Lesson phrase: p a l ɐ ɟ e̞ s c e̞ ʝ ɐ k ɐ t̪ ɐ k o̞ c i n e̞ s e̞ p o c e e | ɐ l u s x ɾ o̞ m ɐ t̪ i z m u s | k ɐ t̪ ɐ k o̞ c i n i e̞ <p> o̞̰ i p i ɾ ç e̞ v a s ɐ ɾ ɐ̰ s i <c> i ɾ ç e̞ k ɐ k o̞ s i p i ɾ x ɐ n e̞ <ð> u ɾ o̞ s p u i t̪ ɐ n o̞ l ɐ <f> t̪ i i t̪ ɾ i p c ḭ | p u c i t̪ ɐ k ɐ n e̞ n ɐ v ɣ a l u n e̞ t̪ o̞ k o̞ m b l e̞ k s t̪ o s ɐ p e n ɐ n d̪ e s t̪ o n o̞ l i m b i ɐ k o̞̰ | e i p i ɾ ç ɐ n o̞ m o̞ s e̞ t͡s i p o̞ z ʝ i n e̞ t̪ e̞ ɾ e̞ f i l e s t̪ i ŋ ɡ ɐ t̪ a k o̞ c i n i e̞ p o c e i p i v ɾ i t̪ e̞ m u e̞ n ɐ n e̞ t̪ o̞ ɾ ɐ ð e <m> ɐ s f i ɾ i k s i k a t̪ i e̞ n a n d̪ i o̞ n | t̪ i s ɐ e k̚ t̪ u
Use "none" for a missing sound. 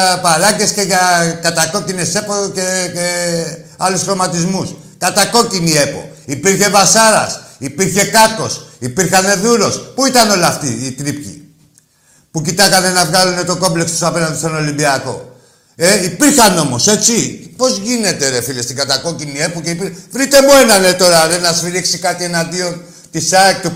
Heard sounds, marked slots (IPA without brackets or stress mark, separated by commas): p, p, ð, f, n